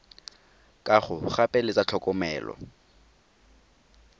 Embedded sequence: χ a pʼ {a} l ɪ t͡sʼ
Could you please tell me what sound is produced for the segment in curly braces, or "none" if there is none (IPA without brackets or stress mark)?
ɛ